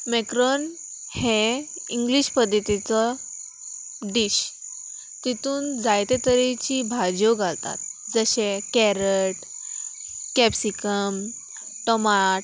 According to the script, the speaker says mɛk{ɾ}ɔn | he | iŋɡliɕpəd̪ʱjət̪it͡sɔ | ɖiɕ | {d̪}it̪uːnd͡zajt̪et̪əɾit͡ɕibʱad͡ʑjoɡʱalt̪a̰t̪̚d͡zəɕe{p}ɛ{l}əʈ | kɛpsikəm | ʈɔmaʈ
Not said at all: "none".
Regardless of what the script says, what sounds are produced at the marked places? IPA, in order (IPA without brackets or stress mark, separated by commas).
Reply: ɾ, t̪, k, ɾ